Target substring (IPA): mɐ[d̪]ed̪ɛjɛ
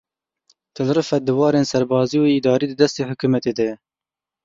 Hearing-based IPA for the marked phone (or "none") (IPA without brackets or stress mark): t̪